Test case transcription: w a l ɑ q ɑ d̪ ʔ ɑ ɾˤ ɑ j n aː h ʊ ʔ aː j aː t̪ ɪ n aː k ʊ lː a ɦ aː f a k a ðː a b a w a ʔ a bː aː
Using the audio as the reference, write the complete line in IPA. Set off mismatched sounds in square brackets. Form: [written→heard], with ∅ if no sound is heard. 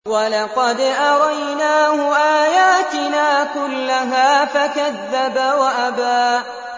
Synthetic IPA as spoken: w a l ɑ q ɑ d̪ ʔ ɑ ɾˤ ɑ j n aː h ʊ ʔ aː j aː t̪ ɪ n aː k ʊ lː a ɦ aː f a k a ðː a b a w a ʔ a [bː→b] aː